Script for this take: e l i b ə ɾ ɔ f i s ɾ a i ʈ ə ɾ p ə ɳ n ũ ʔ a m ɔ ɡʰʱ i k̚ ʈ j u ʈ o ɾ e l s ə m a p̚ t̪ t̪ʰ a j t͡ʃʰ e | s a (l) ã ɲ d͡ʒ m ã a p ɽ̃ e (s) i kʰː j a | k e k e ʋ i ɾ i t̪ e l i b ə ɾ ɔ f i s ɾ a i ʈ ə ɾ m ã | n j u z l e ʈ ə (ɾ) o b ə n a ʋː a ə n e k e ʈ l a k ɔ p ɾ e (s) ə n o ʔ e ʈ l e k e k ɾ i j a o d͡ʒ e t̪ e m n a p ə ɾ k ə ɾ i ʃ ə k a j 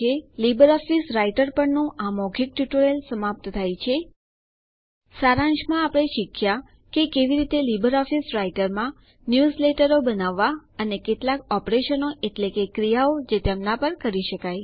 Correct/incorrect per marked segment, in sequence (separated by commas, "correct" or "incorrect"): incorrect, incorrect, correct, incorrect